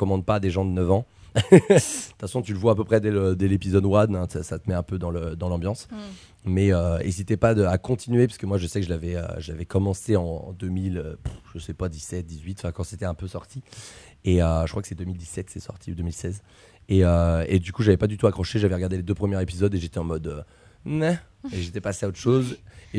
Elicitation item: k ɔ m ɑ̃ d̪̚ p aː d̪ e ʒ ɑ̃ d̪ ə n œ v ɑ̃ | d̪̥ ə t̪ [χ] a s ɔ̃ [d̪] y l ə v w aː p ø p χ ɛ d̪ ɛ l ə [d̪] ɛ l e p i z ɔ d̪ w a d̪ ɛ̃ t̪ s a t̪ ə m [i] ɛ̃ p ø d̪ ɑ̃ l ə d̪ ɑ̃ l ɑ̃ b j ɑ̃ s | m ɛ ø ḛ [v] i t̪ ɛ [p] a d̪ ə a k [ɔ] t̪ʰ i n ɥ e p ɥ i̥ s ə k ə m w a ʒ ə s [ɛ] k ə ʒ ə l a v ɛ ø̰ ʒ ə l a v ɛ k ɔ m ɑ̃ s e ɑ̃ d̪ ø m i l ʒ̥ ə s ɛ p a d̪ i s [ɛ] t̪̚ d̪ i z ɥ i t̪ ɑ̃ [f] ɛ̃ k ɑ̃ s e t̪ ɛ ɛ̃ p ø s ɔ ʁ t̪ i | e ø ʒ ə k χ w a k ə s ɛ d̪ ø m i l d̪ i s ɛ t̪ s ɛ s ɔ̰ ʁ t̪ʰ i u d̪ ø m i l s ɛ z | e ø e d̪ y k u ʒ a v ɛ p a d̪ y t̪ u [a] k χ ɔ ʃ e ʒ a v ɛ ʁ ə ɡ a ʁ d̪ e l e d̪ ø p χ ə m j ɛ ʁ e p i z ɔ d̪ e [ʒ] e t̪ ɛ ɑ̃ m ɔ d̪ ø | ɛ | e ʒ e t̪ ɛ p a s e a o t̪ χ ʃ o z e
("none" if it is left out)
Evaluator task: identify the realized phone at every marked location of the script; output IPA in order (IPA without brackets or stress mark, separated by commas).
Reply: f, t̪, d̪, ɛ, z, p, ɔ̃, ɛ, ɛ, f, a, ʒ